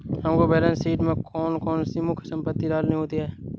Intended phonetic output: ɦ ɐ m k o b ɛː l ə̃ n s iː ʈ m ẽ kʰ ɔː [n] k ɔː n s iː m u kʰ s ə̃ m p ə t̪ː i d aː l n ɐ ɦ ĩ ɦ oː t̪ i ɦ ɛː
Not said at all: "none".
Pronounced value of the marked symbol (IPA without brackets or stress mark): n